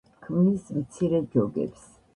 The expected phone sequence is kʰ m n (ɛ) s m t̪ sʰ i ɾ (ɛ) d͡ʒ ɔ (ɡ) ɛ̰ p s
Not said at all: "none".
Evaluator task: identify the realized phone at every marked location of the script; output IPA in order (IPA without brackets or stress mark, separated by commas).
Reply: i, ɛ, ɡ